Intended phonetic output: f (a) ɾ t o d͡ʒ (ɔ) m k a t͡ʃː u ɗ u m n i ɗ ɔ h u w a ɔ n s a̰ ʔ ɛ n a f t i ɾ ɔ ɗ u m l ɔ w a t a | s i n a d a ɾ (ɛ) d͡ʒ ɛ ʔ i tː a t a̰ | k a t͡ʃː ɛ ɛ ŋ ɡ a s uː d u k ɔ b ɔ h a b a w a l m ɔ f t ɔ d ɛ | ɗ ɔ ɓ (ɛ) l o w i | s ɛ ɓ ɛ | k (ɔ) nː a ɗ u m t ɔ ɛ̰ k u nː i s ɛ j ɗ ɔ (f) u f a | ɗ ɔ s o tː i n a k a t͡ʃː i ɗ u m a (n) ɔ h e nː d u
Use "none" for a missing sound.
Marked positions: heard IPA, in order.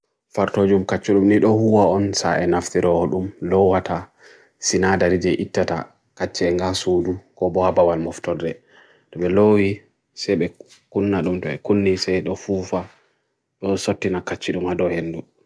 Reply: a, u, i, ɛ, u, f, d

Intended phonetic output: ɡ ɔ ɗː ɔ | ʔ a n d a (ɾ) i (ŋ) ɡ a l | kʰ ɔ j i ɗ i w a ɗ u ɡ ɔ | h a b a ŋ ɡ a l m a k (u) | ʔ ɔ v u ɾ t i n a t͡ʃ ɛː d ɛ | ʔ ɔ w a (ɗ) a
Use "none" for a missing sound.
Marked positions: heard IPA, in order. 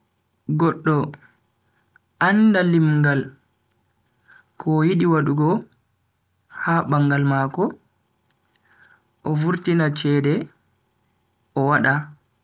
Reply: l, m, ɔ, ɗ

